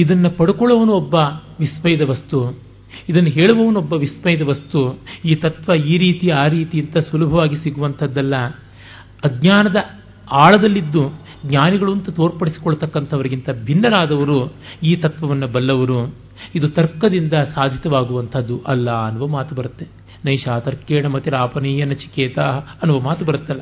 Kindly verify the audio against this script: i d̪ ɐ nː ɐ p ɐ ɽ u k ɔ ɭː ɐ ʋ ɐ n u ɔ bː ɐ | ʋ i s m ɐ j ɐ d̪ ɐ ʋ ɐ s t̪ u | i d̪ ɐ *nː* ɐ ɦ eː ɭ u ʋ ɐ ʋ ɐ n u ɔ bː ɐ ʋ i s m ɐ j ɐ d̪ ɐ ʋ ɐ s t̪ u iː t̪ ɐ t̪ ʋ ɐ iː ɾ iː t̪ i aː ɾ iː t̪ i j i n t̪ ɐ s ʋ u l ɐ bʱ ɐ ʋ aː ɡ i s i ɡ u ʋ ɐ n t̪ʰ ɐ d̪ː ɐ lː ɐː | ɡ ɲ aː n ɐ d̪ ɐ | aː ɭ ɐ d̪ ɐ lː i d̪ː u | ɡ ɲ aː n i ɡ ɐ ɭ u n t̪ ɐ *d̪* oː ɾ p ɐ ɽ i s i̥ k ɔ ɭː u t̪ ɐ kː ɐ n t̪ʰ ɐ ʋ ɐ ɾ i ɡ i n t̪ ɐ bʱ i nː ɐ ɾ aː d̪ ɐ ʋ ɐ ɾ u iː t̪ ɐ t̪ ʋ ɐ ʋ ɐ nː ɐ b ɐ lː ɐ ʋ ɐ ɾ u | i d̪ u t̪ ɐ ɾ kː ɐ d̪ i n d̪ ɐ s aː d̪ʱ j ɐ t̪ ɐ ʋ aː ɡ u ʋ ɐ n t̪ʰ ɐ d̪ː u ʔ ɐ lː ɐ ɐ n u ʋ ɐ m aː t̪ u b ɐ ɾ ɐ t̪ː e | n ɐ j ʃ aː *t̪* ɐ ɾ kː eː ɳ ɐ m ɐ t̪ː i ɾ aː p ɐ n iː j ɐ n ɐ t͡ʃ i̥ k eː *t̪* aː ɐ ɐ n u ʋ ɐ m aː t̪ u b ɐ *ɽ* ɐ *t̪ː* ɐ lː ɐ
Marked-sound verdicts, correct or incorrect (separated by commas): correct, incorrect, correct, correct, incorrect, correct